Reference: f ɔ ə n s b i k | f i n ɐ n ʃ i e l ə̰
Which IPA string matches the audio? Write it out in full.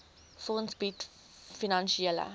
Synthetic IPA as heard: f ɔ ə n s b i t | f i n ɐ n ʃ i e l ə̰